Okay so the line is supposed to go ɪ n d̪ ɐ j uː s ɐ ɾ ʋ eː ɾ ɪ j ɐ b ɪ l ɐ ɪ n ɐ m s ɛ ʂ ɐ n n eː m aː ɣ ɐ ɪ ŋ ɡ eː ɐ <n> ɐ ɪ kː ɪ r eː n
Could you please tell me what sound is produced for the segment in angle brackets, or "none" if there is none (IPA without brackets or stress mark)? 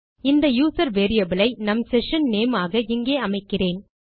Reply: m